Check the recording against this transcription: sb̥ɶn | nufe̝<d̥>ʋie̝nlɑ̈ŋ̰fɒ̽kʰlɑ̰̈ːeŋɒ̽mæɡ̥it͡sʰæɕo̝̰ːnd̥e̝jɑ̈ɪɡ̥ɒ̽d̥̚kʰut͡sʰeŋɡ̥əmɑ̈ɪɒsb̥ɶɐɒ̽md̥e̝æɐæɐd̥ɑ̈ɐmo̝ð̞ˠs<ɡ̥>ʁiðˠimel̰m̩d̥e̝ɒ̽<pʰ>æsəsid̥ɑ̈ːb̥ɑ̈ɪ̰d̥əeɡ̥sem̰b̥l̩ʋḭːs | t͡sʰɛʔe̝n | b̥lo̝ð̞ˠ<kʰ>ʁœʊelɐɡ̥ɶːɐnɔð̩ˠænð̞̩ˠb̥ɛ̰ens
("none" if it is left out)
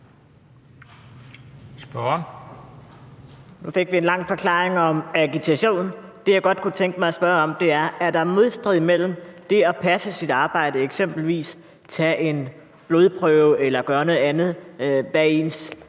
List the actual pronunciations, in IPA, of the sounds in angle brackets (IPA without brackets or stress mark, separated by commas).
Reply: ɡ̥, d̥, pʰ, pʰ